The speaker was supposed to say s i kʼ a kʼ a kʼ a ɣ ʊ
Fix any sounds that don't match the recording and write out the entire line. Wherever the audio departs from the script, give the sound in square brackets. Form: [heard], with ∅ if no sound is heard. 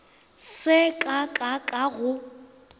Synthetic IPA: s [ɪ] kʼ a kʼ a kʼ a ɣ ʊ